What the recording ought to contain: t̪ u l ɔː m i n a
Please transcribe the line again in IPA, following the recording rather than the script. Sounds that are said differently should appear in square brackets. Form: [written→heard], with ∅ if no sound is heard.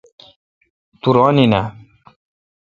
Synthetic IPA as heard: t̪ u [l→ɾ] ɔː [m→n] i n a

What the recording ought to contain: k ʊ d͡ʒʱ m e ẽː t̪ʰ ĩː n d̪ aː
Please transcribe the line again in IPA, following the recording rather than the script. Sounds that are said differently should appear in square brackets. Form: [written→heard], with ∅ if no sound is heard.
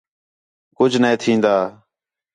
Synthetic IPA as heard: k ʊ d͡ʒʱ [m→n] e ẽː t̪ʰ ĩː n d̪ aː

